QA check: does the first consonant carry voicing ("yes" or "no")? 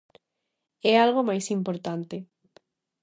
yes